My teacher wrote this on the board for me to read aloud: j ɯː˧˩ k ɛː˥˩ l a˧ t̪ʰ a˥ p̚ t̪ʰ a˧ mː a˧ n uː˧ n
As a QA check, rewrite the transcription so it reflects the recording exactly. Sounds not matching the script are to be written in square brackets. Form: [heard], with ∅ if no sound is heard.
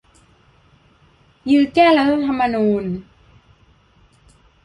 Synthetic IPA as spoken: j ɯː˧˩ k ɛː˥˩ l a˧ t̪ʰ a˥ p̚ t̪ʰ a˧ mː a˧ n uː˧ n